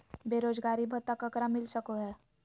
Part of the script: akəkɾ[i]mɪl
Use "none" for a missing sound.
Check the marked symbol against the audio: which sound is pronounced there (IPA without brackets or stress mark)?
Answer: a